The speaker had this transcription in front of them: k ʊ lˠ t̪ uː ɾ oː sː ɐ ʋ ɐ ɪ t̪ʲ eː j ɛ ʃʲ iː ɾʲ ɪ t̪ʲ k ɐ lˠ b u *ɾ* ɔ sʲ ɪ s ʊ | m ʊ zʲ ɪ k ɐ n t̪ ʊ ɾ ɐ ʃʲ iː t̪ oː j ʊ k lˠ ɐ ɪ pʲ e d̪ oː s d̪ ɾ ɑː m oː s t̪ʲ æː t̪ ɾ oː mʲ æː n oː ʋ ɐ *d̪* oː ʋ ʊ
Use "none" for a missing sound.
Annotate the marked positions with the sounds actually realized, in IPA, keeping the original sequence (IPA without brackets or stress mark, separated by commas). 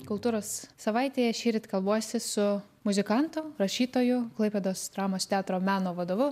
none, d̪